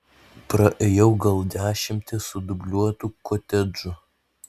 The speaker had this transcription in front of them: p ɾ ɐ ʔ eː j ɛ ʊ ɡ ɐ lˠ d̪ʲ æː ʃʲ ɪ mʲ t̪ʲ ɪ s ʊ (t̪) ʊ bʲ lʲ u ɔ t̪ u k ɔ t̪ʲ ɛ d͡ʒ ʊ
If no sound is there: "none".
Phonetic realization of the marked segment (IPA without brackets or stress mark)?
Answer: d̪